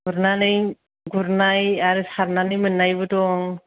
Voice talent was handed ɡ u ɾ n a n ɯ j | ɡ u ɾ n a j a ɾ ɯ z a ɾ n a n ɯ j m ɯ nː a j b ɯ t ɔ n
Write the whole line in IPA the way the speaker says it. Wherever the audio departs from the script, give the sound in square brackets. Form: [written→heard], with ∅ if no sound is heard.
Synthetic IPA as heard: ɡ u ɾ n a n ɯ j | ɡ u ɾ n a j a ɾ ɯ [z→s] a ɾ n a n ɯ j m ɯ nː a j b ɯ t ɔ [n→ŋ]